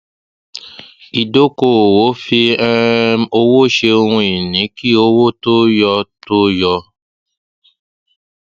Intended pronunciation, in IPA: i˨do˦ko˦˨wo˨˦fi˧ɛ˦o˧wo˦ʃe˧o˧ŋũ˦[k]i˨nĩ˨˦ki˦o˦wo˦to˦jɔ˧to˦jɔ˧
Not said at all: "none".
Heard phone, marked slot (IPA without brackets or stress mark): none